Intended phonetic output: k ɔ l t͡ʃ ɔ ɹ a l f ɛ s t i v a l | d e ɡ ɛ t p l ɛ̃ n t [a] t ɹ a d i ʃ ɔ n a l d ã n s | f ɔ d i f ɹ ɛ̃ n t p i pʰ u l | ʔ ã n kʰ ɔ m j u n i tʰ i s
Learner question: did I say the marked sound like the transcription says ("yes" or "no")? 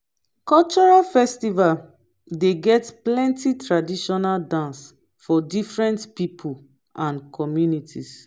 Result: no